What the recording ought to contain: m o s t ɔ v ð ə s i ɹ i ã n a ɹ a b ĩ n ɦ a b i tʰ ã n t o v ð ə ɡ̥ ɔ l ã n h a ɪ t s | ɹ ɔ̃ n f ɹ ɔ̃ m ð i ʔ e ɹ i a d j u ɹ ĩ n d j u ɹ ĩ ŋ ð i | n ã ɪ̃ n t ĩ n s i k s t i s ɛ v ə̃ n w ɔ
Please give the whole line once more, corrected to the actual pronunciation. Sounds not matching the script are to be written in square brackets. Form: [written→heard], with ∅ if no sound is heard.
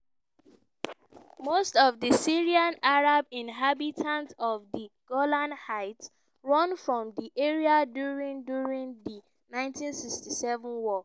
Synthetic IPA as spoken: m o s t ɔ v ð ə s i ɹ i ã n a ɹ a b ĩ n ɦ a b i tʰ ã n t [o→ɔ] v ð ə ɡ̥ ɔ l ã n h a ɪ t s | ɹ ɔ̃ n f ɹ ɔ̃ m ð i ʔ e ɹ i a d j u ɹ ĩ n d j u ɹ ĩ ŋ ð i | n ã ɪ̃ n t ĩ n s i k s t i s ɛ v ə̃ n w ɔ